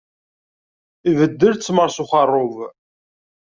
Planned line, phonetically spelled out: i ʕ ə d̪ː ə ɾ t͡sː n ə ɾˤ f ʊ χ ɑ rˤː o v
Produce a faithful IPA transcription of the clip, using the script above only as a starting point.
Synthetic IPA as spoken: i v ə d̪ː ə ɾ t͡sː m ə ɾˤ s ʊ χ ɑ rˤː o v

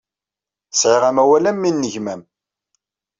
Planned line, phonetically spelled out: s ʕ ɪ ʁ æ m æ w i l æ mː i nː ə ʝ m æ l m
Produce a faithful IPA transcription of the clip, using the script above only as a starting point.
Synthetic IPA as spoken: s ʕ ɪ ʁ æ m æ w æ l æ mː i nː ə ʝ m æ m

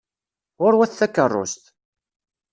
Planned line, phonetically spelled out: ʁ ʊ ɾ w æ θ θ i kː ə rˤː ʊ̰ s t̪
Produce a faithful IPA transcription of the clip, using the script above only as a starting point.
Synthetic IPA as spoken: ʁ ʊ ɾ w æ θ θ æ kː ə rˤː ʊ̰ s t̪

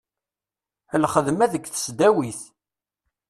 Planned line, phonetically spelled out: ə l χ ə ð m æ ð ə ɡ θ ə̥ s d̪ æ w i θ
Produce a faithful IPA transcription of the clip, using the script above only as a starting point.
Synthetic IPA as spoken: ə l χ ə ð m æ ð ə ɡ θ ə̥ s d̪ æ w i θ

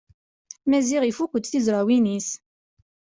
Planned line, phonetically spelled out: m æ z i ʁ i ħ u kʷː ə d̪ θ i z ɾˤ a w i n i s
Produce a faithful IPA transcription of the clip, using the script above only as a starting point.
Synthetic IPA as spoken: m æ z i ʁ i f u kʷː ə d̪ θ i z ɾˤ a w i n i s

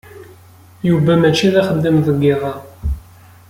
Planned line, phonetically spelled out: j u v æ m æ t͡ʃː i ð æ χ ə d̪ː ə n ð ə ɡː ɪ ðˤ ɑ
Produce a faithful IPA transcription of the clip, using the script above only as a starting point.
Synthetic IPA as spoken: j u v æ m æ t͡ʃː i ð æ χ ə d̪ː ə m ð ə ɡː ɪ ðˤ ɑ

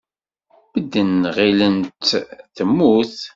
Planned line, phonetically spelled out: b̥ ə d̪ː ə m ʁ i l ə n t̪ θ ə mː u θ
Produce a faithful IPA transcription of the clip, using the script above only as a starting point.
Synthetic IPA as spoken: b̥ ə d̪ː ə n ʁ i l ə n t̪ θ ə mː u θ

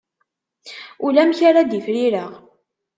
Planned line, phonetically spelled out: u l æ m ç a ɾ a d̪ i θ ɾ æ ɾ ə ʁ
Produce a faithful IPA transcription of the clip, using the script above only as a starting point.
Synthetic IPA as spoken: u l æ m ç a ɾ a d̪ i f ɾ i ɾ ə ʁ

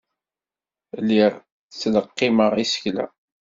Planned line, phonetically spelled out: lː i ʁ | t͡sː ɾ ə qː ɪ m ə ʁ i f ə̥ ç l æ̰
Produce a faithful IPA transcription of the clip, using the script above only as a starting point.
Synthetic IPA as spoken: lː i ʁ | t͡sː l ə qː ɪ m ə ʁ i s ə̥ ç l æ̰

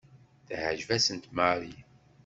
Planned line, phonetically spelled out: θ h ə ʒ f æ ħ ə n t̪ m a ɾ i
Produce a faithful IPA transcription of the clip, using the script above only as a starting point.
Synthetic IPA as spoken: θ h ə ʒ v æ s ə n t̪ m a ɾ i

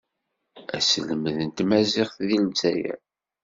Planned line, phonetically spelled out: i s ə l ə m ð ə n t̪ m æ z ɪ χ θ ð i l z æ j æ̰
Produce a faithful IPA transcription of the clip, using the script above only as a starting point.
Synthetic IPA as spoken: æ s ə l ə m ð ə n t̪ m æ z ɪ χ θ ð i l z æ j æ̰

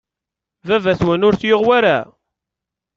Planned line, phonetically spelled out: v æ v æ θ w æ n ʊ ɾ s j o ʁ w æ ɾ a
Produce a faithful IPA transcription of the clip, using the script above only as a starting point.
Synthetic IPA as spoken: v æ v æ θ w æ n ʊ ɾ θ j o ʁ w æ ɾ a

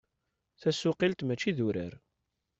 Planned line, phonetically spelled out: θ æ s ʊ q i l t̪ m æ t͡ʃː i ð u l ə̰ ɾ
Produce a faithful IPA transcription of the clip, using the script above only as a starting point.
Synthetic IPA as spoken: θ æ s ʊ q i l t̪ m æ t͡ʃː i ð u ɾ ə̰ ɾ

